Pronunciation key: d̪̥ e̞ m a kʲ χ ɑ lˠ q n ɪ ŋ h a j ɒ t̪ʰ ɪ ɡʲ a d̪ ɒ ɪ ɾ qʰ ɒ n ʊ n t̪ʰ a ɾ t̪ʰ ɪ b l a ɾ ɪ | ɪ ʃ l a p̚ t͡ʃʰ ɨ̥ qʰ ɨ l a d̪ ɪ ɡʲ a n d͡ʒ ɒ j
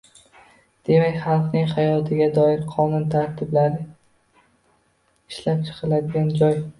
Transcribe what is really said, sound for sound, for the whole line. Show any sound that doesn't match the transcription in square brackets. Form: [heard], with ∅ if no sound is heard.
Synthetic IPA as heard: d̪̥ e̞ m a kʲ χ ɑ lˠ q n ɪ ŋ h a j ɒ t̪ʰ ɪ ɡʲ a d̪ ɒ ɪ ɾ qʰ ɒ n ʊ n t̪ʰ a ɾ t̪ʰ ɪ b l a ɾ ɪ | ɪ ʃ l a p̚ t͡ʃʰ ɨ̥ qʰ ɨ l a d̪ ɪ ɡʲ a n d͡ʒ ɒ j